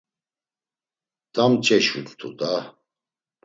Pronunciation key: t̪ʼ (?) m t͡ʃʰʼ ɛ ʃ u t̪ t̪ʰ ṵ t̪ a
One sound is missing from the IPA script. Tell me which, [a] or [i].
a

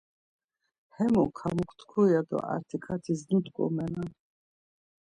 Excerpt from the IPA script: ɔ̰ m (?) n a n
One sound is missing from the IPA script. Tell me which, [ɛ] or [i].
ɛ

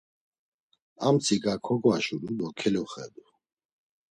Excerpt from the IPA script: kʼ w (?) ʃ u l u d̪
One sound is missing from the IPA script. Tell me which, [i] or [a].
a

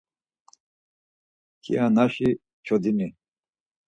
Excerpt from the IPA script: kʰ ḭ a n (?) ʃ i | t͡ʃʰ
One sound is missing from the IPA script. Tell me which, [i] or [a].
a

